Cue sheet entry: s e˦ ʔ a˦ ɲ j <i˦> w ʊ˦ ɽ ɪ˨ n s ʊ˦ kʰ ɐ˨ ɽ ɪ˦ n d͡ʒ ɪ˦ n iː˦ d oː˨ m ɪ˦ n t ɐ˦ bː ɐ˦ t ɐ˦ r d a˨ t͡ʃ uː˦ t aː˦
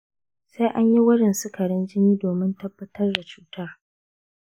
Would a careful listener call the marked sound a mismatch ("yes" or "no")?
no